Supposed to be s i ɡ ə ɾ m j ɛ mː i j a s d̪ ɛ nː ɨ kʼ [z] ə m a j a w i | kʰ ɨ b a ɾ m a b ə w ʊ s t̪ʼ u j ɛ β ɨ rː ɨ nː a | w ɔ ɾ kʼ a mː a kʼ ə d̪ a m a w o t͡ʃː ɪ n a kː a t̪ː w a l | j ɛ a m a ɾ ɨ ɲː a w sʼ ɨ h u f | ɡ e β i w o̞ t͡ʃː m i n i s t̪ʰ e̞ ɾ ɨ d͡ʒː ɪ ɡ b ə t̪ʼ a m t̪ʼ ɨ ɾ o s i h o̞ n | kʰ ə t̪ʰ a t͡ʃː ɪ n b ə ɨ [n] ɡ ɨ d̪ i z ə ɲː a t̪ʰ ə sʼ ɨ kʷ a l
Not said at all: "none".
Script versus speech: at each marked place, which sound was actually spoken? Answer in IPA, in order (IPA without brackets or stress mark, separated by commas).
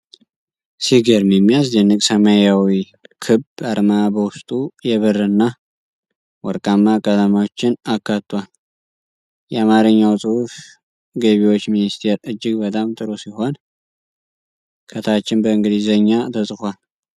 s, ŋ